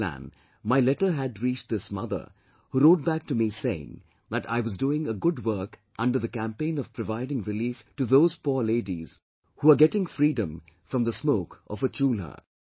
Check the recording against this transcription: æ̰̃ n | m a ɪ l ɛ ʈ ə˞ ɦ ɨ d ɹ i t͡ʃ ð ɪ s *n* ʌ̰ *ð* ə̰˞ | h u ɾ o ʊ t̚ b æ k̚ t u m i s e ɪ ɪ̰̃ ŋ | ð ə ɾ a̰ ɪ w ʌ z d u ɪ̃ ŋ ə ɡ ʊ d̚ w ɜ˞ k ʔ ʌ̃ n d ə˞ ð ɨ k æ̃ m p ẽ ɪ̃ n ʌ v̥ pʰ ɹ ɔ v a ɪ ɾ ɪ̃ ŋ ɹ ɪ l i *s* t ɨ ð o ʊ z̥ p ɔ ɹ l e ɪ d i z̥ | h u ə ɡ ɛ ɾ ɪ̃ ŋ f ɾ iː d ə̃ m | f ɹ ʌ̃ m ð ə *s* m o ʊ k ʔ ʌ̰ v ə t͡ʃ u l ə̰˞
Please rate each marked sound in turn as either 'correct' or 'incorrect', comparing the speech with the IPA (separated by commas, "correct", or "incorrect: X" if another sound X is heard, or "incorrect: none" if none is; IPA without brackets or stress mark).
incorrect: m, correct, incorrect: f, correct